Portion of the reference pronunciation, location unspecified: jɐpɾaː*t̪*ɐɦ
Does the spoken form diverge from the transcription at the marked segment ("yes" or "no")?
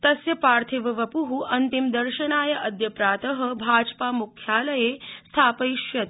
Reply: no